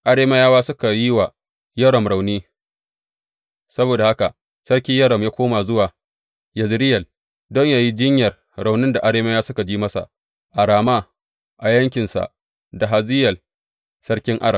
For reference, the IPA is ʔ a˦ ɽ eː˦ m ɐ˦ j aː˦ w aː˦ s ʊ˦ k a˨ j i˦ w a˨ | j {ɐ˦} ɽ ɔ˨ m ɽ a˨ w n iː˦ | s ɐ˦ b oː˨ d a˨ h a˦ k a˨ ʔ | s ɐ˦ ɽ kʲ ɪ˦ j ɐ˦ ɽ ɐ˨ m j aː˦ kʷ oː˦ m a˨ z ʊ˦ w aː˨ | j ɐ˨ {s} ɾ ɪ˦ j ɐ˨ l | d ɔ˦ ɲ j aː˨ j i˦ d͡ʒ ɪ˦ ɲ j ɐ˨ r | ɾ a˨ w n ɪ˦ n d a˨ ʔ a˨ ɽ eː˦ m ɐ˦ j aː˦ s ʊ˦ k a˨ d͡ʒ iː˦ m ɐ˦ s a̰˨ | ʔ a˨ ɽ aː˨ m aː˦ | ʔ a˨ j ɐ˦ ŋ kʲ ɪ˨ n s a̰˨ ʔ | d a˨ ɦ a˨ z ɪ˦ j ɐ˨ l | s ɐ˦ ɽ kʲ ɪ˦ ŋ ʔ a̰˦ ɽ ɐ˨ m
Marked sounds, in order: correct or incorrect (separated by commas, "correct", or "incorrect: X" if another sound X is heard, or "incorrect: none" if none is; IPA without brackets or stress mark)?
correct, incorrect: z